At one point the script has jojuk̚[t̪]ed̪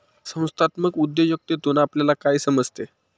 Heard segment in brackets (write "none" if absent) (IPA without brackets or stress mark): t̪